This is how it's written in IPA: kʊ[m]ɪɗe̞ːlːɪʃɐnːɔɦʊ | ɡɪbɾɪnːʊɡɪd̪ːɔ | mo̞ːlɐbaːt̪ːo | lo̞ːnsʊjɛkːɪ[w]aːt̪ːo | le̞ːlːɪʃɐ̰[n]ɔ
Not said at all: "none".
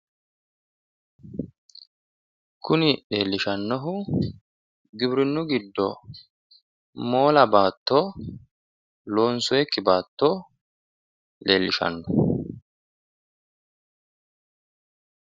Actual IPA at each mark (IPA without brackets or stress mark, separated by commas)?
n, b, nː